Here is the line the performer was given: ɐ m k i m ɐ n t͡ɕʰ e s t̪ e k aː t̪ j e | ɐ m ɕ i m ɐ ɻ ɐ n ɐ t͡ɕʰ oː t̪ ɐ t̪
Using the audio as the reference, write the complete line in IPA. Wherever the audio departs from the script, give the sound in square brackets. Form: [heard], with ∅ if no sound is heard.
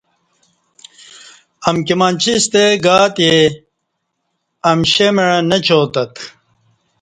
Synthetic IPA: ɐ m k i m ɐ n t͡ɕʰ [i] s t̪ e [ɡ] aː t̪ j e | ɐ m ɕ [e] m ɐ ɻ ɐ n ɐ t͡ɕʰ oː t̪ ɐ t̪